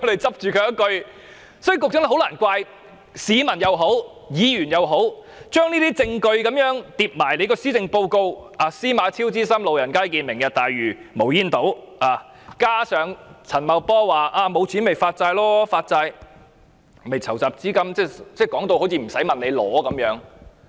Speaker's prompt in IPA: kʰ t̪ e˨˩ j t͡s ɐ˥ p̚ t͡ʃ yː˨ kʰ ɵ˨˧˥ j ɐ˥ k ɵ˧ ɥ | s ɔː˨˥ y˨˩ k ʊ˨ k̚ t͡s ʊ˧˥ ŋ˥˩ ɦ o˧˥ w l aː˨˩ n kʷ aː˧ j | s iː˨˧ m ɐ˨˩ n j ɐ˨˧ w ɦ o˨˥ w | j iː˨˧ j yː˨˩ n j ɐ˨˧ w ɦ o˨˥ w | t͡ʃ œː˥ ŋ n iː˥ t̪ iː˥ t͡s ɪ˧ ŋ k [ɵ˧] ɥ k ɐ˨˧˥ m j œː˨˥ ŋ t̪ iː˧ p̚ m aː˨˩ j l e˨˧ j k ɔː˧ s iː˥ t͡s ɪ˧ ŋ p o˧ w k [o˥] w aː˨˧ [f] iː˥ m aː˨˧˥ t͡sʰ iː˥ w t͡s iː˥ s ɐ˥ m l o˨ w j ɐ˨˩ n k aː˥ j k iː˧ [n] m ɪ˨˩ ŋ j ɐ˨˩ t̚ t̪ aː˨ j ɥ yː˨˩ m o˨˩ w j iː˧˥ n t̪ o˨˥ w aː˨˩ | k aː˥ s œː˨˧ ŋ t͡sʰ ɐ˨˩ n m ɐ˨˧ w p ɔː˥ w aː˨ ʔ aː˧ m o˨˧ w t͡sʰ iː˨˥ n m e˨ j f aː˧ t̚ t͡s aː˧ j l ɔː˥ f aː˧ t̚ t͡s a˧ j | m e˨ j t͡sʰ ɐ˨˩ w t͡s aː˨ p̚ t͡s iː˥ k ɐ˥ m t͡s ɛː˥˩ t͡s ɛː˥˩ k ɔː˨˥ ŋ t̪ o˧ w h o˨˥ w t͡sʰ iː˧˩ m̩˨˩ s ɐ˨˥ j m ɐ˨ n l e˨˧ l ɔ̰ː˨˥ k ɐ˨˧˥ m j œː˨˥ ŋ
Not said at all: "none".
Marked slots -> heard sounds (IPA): ɵ˧, o˧, s, n

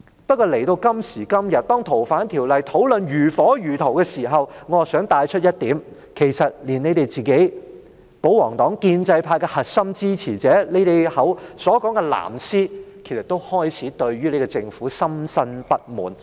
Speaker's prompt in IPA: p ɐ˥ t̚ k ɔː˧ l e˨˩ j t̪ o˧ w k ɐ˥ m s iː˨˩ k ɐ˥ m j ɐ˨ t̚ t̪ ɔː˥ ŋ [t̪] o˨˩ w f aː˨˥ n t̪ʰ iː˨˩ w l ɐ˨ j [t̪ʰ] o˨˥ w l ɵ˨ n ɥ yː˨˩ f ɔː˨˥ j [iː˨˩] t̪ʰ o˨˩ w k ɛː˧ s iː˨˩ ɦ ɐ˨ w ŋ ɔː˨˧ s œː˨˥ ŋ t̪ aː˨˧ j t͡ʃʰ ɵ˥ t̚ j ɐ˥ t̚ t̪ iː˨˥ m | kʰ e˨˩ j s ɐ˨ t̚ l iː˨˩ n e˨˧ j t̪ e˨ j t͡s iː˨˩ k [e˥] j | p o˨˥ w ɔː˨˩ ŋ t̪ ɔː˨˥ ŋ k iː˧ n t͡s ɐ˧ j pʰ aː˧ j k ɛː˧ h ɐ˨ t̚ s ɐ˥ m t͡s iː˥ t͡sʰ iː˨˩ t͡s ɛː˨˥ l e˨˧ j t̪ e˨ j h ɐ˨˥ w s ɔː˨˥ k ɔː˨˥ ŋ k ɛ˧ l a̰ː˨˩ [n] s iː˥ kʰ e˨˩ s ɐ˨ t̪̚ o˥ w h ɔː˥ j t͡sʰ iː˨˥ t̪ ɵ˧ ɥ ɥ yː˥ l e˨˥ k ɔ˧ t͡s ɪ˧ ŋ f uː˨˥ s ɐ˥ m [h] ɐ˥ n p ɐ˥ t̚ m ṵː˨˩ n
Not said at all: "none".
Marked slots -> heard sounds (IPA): t̪ʰ, t̪ʰ, yː˨˩, e˨˥, m, s

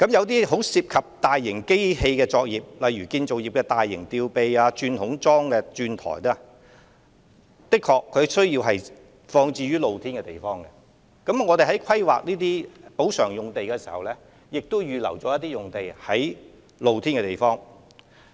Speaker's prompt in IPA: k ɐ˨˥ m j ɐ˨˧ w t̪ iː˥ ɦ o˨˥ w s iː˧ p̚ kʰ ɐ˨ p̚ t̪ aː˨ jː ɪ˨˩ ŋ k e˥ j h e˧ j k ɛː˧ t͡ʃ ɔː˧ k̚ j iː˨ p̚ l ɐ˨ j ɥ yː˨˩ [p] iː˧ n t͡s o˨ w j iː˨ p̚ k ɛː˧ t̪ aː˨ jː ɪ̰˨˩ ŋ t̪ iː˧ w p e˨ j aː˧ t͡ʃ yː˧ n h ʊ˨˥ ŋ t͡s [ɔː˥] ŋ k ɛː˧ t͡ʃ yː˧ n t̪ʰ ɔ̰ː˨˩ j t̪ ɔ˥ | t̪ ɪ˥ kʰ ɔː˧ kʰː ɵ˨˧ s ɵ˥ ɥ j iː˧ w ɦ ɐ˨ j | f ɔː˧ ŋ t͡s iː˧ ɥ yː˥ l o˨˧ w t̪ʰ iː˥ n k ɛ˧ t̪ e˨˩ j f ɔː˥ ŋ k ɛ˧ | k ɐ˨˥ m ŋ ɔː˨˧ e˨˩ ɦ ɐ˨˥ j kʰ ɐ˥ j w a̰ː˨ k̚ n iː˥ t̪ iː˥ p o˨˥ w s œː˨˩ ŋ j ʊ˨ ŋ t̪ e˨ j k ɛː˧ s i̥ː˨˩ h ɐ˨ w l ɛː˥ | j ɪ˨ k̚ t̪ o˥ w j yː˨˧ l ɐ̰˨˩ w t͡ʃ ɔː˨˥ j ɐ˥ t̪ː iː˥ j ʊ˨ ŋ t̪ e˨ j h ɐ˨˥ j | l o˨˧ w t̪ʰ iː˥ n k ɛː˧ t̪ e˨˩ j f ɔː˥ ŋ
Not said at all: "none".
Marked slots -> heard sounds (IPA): k, ɔː˥

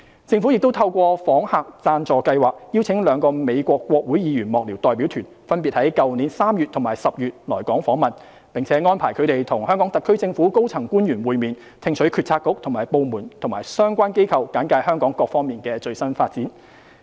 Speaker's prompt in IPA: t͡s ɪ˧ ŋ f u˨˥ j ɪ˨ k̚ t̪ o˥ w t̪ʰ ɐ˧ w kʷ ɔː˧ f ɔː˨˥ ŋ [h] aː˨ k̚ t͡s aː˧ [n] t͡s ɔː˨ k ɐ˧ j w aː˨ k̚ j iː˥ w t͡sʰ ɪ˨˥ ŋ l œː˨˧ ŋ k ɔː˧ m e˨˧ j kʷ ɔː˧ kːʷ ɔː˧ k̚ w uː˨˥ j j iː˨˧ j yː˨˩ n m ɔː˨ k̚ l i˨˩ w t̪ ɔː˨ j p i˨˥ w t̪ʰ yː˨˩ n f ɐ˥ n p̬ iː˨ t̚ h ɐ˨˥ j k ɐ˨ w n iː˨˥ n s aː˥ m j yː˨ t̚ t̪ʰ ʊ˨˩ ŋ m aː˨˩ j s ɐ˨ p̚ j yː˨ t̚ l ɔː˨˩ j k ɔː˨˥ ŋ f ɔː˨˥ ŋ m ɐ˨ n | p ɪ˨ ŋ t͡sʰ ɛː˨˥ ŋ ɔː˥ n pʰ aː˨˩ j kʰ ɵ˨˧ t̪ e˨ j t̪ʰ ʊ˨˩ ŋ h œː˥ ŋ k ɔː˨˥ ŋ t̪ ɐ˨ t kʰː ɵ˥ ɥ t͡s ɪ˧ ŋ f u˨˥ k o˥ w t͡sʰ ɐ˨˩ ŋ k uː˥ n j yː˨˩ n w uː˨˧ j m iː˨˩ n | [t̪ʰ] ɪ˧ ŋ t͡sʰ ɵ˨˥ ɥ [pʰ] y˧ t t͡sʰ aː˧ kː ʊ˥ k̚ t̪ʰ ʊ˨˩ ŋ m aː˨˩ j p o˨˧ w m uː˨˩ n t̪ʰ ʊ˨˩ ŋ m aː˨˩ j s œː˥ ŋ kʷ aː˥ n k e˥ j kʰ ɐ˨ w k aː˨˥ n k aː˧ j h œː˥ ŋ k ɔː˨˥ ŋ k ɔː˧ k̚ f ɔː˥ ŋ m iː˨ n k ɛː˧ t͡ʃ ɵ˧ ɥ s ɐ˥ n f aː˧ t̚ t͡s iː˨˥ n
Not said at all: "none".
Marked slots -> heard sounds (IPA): h, n, t̪ʰ, kʰ

